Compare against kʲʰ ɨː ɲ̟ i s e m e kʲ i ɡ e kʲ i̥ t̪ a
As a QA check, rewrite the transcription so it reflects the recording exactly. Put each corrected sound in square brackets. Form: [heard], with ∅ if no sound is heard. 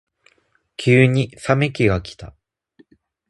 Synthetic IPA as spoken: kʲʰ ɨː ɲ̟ i s [a] m e kʲ i ɡ [a] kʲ i̥ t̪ a